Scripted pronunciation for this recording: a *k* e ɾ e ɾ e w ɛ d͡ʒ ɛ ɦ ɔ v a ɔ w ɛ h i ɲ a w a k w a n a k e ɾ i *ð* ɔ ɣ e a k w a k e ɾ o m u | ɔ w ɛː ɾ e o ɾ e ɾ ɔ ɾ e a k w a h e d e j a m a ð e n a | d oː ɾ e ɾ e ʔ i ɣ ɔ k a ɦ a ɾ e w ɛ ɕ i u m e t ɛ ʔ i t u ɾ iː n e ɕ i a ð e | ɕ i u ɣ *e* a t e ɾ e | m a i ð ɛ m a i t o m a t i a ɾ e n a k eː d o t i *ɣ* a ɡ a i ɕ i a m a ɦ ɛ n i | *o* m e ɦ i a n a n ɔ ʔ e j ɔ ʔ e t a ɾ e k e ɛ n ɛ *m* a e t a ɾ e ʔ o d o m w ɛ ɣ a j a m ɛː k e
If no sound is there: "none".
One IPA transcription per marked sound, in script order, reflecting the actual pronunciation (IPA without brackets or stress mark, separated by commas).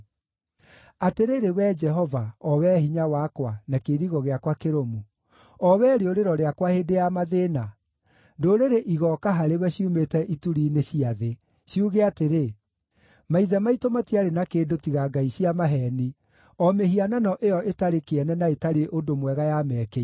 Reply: t, ɣ, e, ɣ, ɔ, n